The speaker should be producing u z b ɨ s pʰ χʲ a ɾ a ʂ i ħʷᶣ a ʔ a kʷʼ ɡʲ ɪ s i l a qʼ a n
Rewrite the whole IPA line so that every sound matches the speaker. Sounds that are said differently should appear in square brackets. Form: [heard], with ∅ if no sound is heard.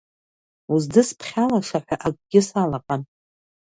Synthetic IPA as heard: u z [d] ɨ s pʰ χʲ a [l] a ʂ [a] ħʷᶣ a ʔ a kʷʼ ɡʲ ɪ s [a] l a qʼ a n